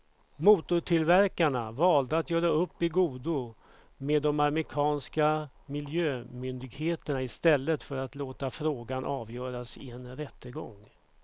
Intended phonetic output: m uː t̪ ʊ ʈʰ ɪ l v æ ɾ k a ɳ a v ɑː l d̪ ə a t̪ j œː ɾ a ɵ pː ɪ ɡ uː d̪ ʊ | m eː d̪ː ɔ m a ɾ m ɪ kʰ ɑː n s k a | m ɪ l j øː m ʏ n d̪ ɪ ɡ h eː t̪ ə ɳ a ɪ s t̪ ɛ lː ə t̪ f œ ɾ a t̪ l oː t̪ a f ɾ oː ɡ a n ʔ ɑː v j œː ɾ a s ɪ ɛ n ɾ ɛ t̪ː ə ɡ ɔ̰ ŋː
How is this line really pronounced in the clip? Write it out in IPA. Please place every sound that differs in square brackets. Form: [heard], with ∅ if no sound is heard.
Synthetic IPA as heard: m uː t̪ ʊ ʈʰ ɪ l v æ ɾ k a ɳ a v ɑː l d̪ ə a t̪ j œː ɾ a ɵ pː ɪ ɡ uː d̪ ʊ | m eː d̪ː ɔ m a ɾ m ɪ kʰ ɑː n s k a | m ɪ l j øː m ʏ n d̪ ɪ ɡ h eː t̪ ə ɳ a ɪ s t̪ ɛ lː ə t̪ f œ ɾ a t̪ l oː t̪ a f ɾ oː ɡ a n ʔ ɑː v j œː ɾ a s ɪ ɛ n ɾ ɛ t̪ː ə ɡ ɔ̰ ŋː